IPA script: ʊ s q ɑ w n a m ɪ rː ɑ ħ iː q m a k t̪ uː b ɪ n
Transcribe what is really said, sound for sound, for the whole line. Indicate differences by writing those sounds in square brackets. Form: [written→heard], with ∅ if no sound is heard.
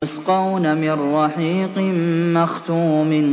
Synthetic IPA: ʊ s q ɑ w n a m ɪ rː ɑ ħ iː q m a [k→x] t̪ uː [b→m] ɪ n